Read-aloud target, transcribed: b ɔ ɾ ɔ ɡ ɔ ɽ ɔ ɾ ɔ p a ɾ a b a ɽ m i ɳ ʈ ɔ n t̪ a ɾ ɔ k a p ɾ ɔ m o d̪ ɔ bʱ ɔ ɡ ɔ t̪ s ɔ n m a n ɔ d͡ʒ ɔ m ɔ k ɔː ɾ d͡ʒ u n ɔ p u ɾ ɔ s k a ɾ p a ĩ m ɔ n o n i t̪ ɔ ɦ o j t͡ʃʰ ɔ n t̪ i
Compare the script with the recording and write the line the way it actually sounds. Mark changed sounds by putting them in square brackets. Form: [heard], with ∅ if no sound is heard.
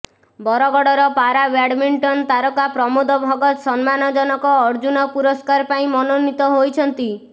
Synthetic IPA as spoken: b ɔ ɾ ɔ ɡ ɔ ɽ ɔ ɾ ɔ p a ɾ a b a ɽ m i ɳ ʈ ɔ n t̪ a ɾ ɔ k a p ɾ ɔ m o d̪ ɔ bʱ ɔ ɡ ɔ t̪ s ɔ n m a n ɔ d͡ʒ ɔ [n] ɔ k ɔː ɾ d͡ʒ u n ɔ p u ɾ ɔ s k a ɾ p a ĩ m ɔ n o n i t̪ ɔ ɦ o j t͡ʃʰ ɔ n t̪ i

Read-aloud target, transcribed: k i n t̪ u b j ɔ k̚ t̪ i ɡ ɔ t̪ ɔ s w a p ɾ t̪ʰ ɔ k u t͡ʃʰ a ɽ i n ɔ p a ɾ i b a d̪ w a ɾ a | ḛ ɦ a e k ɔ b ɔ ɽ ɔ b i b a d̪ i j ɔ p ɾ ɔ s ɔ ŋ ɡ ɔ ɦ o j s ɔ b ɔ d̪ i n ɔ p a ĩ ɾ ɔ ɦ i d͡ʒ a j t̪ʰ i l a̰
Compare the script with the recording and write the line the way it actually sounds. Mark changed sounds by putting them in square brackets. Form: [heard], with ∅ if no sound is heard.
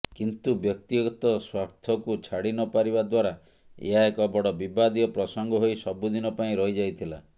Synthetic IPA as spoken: k i n t̪ u b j ɔ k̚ t̪ i ɡ ɔ t̪ ɔ s w a [∅] ɾ t̪ʰ ɔ k u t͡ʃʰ a ɽ i n ɔ p a ɾ i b a d̪ w a ɾ a | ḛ ɦ a e k ɔ b ɔ ɽ ɔ b i b a d̪ i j ɔ p ɾ ɔ s ɔ ŋ ɡ ɔ ɦ o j s ɔ b [u] d̪ i n ɔ p a ĩ ɾ ɔ ɦ i d͡ʒ a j t̪ʰ i l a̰

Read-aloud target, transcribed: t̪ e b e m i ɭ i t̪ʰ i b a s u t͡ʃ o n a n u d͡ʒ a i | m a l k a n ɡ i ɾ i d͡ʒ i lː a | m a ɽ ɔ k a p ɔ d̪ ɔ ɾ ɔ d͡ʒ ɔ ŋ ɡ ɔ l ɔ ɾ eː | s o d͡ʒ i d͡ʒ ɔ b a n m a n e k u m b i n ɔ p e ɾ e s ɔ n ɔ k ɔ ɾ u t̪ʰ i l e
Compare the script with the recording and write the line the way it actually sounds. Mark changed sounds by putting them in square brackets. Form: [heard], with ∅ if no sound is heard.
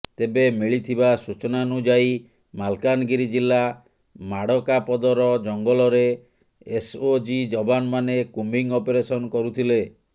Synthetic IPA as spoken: t̪ e b e m i ɭ i t̪ʰ i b a s u t͡ʃ [ɔ] n a n u d͡ʒ a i | m a l k a n ɡ i ɾ i d͡ʒ i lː a | m a ɽ ɔ k a p ɔ d̪ ɔ ɾ ɔ d͡ʒ ɔ ŋ ɡ ɔ l ɔ ɾ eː | s o d͡ʒ i d͡ʒ ɔ b a n m a n e k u m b i [ŋ] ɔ p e ɾ e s ɔ n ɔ k ɔ ɾ u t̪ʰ i l e

